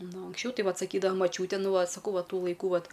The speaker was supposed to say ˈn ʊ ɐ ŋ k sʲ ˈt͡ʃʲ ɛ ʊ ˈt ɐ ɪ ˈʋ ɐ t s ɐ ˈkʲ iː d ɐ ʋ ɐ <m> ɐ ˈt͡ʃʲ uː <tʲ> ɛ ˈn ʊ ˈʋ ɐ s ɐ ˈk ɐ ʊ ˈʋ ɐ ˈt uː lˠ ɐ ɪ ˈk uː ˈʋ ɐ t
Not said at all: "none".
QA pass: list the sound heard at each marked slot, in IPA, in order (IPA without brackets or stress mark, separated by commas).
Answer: m, tʲ